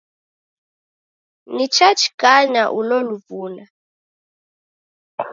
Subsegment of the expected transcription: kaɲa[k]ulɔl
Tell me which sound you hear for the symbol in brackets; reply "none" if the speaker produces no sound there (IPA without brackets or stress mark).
ʔ